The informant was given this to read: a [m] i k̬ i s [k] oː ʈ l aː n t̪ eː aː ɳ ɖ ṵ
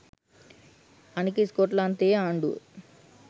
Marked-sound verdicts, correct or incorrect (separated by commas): incorrect, correct